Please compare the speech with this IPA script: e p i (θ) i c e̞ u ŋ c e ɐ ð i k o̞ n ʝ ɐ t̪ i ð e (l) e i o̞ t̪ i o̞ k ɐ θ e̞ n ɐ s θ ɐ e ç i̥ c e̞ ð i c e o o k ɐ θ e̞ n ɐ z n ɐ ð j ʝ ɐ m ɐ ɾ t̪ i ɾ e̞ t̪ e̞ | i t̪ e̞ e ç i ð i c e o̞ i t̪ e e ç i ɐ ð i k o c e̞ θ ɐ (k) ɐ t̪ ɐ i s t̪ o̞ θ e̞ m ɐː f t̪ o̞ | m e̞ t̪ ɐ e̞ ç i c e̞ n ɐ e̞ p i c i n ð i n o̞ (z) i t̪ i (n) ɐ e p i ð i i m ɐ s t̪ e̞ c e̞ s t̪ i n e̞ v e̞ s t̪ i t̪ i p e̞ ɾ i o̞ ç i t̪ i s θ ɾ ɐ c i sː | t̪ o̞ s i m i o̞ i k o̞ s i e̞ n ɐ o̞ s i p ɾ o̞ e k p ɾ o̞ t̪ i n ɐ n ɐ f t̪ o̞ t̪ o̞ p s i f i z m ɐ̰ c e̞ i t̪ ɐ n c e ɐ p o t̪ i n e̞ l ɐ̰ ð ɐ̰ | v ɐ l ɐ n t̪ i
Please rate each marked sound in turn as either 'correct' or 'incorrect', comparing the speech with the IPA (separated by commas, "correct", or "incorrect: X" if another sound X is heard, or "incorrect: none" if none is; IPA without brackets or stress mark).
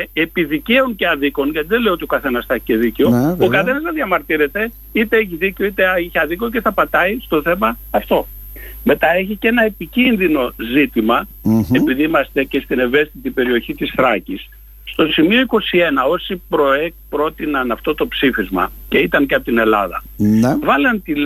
incorrect: ð, correct, incorrect: p, correct, incorrect: m